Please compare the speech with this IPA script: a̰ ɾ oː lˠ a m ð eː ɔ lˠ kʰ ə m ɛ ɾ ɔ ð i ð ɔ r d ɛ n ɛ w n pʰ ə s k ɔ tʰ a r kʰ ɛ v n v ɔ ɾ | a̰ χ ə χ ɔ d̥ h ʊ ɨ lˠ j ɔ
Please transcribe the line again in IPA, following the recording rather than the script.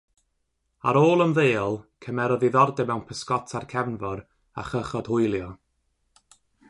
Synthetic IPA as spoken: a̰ ɾ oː lˠ ə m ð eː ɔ lˠ kʰ ə m ɛ ɾ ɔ ð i ð ɔ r d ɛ m ɛ w n pʰ ə s k ɔ tʰ a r kʰ ɛ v n v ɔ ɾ | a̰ χ ə χ ɔ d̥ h ʊ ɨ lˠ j ɔ

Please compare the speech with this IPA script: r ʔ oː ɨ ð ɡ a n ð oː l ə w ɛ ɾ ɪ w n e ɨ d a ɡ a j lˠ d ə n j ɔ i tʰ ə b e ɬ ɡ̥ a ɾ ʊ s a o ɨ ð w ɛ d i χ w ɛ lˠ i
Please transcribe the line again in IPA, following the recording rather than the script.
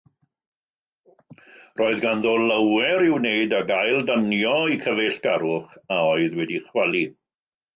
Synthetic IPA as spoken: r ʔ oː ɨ ð ɡ a n ð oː l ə w ɛ ɾ ɪ w n e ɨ d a ɡ a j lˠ d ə n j ɔ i kʰ ə v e ɬ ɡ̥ a ɾ ʊ χ a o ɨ ð w ɛ d i χ w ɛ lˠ i

